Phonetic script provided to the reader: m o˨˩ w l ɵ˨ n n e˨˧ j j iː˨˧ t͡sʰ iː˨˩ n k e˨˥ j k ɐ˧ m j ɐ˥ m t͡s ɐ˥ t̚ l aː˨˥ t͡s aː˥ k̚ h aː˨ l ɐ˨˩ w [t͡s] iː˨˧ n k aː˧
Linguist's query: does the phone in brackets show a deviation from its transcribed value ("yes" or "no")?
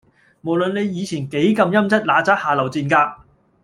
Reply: no